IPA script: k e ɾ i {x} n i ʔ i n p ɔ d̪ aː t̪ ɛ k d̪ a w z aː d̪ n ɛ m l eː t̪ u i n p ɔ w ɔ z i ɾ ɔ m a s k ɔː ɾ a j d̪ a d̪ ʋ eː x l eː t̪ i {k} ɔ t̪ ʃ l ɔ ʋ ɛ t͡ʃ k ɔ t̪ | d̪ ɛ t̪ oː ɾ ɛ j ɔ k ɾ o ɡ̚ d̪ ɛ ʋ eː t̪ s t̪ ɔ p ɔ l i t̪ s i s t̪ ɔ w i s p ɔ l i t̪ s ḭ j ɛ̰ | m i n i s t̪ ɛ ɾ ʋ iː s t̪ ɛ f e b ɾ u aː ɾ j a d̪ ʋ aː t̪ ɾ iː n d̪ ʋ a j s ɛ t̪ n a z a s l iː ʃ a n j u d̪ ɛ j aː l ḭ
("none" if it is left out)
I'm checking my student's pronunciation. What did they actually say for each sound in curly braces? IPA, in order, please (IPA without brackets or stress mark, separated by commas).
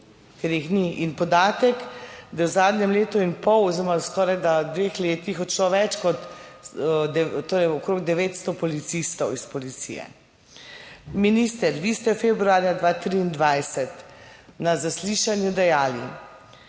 x, x